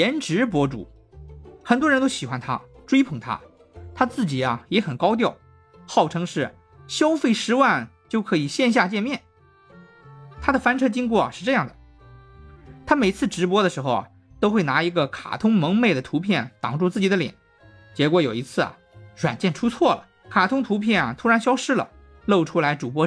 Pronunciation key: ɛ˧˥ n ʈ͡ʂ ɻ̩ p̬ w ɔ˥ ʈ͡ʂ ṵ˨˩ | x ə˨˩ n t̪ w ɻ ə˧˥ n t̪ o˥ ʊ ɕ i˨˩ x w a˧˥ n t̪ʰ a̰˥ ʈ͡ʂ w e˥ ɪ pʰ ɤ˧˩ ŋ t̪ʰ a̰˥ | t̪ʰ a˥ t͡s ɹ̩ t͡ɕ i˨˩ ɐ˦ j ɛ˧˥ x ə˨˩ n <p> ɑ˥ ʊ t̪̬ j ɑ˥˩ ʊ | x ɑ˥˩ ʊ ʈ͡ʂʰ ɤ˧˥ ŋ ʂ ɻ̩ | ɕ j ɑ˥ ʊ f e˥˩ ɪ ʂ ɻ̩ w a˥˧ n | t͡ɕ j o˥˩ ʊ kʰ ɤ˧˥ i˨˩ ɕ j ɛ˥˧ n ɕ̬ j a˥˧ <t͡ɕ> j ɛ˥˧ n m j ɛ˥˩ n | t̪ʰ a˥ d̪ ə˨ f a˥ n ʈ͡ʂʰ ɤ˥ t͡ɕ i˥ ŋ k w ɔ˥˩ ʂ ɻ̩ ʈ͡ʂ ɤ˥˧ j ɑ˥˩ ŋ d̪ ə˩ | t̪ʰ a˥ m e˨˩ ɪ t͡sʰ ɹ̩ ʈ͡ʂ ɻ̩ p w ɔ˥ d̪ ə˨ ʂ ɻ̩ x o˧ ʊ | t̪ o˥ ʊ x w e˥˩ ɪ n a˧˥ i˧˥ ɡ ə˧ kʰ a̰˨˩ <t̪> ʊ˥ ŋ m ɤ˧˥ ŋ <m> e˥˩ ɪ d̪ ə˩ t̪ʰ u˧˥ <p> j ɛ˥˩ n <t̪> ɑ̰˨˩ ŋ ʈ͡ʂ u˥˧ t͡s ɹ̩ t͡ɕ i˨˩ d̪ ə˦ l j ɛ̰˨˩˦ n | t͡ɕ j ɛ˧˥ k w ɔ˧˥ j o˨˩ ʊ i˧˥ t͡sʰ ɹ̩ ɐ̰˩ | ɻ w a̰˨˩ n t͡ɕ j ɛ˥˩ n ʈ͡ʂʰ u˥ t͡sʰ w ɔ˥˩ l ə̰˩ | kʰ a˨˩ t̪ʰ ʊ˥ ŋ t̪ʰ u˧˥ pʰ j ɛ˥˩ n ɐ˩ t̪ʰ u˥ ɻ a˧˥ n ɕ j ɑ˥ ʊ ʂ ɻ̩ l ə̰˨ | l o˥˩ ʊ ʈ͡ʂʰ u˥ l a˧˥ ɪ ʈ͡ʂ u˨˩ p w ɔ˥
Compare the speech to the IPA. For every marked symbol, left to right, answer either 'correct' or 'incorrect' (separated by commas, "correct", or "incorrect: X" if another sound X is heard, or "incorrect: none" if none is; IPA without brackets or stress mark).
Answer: incorrect: k, correct, incorrect: t̪ʰ, correct, incorrect: pʰ, correct